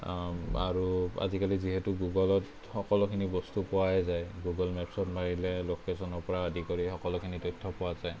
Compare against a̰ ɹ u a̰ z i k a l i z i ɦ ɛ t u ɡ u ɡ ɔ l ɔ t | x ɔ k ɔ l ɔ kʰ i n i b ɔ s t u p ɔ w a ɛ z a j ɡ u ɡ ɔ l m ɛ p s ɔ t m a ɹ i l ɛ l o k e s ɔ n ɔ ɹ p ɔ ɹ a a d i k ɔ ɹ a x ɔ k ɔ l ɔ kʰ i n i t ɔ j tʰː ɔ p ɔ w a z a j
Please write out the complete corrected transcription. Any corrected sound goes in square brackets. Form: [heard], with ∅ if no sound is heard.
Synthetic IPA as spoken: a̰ ɹ u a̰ z i k a l i z i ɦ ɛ t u ɡ u ɡ ɔ l ɔ t | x ɔ k ɔ l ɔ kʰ i n i b ɔ s t u p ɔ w a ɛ z a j ɡ u ɡ ɔ l m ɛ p s ɔ t m a ɹ i l ɛ l o k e s ɔ n ɔ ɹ p ɔ ɹ a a d i k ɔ ɹ [i] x ɔ k ɔ l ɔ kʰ i n i t ɔ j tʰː ɔ p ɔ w a z a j